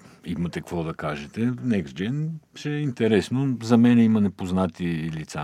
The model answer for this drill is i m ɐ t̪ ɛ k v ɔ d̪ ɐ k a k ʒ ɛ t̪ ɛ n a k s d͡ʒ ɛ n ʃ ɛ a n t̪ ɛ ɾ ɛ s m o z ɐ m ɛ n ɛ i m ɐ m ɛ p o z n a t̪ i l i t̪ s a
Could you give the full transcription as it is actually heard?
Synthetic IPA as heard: i m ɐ t̪ ɛ k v ɔ d̪ ɐ k a ʒ ɛ t̪ ɛ n ɛ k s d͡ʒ ɛ n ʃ ɛ i n t̪ ɛ ɾ ɛ s n o z ɐ m ɛ n ɛ i m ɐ n ɛ p o z n a t̪ i l i t̪ s a